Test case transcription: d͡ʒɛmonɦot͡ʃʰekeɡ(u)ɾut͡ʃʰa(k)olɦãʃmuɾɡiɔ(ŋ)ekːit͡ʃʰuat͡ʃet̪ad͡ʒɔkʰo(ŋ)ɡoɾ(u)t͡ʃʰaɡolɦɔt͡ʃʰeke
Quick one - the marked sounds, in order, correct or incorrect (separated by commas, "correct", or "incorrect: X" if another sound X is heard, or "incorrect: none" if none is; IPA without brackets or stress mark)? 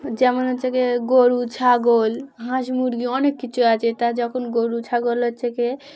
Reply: incorrect: o, incorrect: ɡ, incorrect: n, incorrect: n, correct